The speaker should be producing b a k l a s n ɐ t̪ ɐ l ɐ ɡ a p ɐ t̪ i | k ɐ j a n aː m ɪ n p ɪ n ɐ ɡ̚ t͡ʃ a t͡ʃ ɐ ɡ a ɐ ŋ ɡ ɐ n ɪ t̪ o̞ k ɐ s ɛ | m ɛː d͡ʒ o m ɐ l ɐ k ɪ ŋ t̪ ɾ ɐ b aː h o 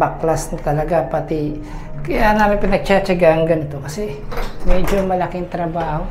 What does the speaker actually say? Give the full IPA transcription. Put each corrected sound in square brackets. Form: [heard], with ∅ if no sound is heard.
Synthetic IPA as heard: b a k l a s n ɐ t̪ ɐ l ɐ ɡ a p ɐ t̪ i | k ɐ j a n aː m ɪ n p ɪ n ɐ ɡ̚ t͡ʃ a t͡ʃ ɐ ɡ a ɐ ŋ ɡ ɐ n ɪ t̪ o̞ k ɐ s ɛ | m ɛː d͡ʒ o m ɐ l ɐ k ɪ ŋ t̪ ɾ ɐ b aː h o